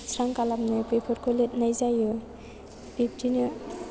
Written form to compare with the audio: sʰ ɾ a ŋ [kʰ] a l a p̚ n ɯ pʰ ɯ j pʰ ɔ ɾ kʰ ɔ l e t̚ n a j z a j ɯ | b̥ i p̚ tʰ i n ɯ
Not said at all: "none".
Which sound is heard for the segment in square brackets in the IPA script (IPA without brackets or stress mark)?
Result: k